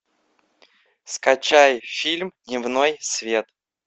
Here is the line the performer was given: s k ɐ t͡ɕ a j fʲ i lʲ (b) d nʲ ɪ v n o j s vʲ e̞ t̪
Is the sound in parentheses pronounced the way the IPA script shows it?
no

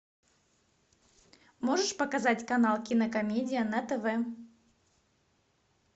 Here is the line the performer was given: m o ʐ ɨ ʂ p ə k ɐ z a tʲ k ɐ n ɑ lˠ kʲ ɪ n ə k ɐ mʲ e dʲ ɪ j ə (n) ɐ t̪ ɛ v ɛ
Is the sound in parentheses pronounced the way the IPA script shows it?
yes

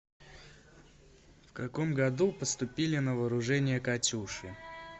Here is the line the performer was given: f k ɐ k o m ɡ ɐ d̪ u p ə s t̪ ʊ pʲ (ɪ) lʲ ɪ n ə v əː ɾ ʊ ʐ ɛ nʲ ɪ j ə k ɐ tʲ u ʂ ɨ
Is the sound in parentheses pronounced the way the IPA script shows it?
no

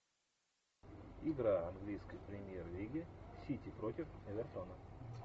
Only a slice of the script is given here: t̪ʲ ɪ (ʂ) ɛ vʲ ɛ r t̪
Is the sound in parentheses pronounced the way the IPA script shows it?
no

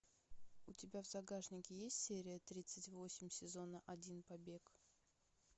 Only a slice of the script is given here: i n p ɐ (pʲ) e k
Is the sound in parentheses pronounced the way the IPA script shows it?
no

